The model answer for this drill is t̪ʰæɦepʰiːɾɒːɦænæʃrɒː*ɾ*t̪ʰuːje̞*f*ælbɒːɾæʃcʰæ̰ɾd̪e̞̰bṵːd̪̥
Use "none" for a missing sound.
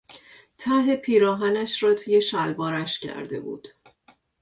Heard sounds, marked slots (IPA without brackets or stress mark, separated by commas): none, ʃ